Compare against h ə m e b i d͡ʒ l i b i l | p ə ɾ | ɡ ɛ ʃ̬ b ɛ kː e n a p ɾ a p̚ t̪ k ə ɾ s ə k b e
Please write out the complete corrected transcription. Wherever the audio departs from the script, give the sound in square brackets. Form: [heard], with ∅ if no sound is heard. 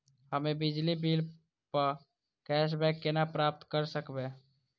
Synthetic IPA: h ə m e b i d͡ʒ l i b i l | p ə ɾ | [k] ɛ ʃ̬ b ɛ kː e n a p ɾ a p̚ t̪ k ə ɾ s ə k b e